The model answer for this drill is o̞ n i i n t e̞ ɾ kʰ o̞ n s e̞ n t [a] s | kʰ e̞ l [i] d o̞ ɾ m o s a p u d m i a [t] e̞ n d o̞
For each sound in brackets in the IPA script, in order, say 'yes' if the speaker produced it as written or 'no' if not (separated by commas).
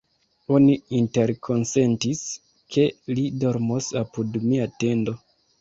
no, yes, yes